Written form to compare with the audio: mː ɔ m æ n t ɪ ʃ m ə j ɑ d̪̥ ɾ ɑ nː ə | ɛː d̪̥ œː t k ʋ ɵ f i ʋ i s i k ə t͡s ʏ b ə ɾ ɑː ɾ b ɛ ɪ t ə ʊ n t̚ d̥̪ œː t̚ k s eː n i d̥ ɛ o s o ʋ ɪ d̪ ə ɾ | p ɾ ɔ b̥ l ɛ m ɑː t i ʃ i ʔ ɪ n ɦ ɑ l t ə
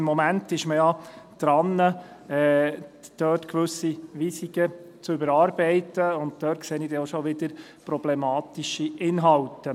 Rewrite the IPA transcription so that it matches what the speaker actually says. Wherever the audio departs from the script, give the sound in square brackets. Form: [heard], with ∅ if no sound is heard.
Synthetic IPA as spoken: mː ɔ m æ n t ɪ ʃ m ə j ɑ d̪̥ ɾ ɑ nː ə | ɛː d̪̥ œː t k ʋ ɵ [s] i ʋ i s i k ə t͡s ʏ b ə ɾ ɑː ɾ b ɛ ɪ t ə ʊ n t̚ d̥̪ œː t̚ k s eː n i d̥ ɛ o [ʃ] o ʋ ɪ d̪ ə ɾ | p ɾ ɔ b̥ l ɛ m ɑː t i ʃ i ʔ ɪ n ɦ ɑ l t ə